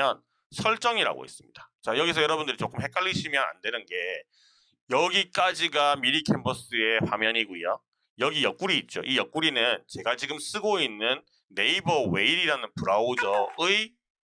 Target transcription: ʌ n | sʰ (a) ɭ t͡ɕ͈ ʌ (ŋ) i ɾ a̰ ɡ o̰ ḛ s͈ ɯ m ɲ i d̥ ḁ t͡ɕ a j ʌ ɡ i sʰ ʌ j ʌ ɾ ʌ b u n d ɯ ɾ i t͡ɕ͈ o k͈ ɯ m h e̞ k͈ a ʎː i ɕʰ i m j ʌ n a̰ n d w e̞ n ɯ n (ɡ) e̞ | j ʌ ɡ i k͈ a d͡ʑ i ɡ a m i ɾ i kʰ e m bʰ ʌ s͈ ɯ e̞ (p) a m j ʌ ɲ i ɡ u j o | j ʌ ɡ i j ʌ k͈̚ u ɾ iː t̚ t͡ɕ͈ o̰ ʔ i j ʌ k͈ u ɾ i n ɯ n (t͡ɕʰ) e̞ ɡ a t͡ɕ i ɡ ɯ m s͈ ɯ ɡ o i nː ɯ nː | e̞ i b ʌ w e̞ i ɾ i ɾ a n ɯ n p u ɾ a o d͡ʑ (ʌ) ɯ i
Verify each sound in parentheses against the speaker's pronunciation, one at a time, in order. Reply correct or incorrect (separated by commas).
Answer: incorrect, correct, correct, correct, incorrect, correct